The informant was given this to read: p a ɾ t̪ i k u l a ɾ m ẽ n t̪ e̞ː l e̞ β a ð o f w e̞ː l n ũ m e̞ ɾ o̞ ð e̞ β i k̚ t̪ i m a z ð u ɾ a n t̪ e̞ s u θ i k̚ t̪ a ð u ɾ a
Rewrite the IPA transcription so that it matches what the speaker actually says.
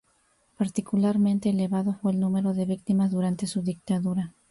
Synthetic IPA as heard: p a ɾ t̪ i k u l a ɾ m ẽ n t̪ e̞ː l e̞ β a ð o f w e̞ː l n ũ m e̞ ɾ o̞ ð e̞ β i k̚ t̪ i m a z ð u ɾ a n t̪ e̞ s u ð i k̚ t̪ a ð u ɾ a